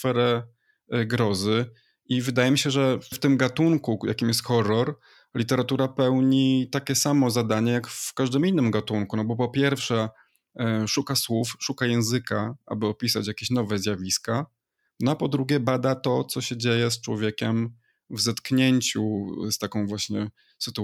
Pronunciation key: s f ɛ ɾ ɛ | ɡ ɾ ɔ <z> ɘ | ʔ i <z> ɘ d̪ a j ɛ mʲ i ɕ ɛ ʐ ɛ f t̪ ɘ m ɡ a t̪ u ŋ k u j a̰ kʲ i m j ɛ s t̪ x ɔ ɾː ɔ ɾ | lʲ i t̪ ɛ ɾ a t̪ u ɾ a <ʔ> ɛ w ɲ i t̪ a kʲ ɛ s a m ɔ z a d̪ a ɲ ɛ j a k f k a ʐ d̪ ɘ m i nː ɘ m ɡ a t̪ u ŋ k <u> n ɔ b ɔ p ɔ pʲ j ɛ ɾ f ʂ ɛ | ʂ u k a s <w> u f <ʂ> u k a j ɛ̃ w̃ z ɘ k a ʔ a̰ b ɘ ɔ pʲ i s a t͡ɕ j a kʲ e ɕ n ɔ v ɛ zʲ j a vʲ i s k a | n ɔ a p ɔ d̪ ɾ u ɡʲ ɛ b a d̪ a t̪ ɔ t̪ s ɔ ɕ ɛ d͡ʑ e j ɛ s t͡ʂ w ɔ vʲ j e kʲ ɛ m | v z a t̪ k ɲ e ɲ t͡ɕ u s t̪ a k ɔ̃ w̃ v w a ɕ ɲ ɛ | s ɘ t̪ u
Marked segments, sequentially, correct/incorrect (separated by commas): correct, incorrect, incorrect, correct, correct, correct